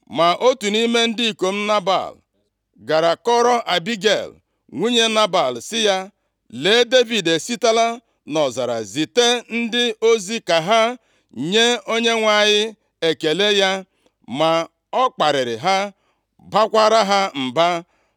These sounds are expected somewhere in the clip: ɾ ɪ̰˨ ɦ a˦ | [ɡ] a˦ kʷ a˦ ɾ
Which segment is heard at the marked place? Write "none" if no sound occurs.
b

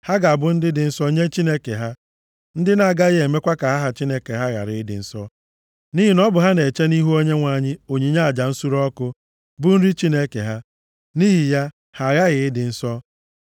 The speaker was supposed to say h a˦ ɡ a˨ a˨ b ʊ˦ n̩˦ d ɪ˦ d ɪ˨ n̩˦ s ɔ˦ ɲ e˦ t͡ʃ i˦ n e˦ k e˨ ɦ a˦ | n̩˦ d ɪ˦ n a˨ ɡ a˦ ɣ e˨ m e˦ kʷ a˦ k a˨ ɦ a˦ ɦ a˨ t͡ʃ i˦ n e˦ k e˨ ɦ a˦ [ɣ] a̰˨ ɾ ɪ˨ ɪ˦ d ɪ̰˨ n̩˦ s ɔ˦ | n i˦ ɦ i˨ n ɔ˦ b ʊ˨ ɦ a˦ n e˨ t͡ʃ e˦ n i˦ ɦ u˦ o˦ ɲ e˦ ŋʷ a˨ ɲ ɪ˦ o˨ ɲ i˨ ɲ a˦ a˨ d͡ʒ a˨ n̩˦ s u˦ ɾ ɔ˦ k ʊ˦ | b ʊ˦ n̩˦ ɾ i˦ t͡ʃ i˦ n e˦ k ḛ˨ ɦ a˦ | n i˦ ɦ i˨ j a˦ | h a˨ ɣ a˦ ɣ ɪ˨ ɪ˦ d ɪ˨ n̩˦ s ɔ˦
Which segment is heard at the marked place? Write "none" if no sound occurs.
ɣ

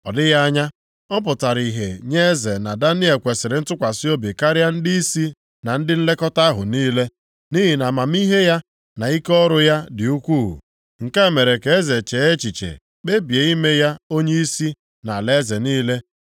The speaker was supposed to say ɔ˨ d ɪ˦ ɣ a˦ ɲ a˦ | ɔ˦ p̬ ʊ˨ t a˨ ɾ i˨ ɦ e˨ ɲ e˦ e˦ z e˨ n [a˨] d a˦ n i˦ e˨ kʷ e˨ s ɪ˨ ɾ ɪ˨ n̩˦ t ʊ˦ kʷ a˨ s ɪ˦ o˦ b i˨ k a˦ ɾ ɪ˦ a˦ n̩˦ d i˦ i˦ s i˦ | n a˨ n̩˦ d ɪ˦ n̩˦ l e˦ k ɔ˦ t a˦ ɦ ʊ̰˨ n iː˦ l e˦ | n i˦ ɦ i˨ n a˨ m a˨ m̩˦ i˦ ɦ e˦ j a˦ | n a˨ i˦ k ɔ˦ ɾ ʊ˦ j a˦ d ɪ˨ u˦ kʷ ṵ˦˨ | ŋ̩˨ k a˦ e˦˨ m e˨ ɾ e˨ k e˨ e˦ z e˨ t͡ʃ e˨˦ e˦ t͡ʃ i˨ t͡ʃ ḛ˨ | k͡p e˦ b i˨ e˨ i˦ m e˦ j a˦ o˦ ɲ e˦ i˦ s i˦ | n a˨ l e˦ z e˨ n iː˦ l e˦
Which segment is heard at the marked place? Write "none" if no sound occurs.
a˨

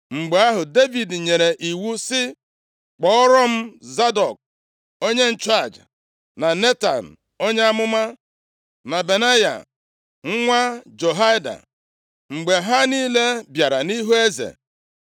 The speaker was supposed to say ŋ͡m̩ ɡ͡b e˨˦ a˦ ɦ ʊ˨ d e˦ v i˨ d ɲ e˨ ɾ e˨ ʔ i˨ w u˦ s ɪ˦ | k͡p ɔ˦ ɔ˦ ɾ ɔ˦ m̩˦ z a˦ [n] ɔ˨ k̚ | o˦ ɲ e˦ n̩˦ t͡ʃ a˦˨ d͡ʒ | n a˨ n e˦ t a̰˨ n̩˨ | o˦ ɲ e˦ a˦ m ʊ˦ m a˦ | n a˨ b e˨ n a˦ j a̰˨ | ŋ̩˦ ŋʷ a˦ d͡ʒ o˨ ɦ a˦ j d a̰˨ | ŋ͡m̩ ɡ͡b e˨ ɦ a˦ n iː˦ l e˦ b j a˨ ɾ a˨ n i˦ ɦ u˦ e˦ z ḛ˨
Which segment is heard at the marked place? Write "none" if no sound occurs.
d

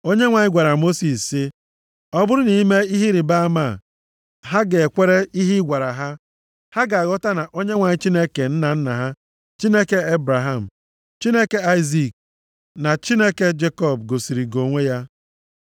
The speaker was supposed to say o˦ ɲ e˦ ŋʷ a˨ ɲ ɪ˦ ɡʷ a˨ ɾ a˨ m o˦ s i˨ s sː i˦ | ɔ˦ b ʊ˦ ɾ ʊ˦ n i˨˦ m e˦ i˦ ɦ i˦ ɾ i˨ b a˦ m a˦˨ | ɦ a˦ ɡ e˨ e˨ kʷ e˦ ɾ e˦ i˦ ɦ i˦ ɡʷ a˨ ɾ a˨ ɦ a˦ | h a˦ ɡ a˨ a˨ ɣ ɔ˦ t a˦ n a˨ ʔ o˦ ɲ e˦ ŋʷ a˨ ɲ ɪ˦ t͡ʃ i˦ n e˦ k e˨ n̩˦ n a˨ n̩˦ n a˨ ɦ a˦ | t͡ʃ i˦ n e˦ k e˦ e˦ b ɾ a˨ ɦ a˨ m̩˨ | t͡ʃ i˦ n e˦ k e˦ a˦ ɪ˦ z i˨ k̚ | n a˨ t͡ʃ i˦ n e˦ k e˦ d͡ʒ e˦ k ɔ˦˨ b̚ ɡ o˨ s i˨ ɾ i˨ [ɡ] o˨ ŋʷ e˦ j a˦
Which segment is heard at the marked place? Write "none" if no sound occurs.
ɡ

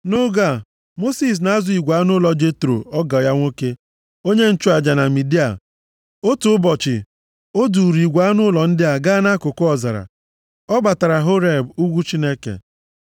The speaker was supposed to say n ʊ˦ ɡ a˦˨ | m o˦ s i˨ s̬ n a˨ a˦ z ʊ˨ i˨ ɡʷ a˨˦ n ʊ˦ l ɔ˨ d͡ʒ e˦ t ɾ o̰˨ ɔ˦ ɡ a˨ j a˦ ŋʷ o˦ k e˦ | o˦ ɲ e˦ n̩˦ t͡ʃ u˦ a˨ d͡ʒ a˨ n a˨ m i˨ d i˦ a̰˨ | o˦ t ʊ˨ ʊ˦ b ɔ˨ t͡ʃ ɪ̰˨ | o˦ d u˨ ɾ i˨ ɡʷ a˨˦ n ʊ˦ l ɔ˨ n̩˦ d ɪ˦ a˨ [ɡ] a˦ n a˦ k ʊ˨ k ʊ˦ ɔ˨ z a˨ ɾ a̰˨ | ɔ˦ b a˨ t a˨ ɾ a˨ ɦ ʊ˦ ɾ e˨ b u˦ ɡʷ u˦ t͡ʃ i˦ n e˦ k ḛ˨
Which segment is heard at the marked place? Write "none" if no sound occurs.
ɡ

